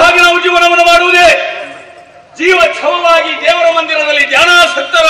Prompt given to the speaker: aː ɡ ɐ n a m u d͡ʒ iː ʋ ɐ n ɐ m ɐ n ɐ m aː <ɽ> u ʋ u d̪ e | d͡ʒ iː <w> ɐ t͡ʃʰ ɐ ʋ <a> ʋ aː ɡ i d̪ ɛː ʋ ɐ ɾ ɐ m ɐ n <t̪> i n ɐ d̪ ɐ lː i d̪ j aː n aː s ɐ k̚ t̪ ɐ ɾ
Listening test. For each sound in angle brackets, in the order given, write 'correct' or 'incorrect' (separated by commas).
correct, incorrect, incorrect, incorrect